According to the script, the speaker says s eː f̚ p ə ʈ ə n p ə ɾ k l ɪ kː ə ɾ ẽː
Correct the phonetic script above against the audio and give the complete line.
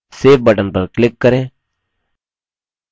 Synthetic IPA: s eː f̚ b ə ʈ ə n p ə ɾ k l ɪ kː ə ɾ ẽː